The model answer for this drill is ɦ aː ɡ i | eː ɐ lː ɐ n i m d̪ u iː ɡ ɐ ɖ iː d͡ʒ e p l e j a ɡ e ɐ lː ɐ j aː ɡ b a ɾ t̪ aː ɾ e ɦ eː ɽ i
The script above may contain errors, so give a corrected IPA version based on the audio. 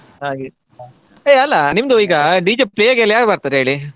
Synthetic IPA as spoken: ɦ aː ɡ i | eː ɐ lː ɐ n i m d̪ u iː ɡ ɐ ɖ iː d͡ʒ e p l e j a ɡ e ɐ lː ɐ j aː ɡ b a ɾ t̪ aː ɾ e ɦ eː ɭ i